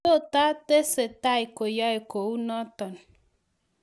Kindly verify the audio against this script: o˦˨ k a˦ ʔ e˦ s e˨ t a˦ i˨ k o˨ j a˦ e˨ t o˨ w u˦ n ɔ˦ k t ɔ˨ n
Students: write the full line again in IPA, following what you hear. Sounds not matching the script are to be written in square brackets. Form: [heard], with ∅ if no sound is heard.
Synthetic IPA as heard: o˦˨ [t] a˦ [t] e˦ s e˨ t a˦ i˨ k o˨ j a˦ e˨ [k] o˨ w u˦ n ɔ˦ [∅] t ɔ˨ n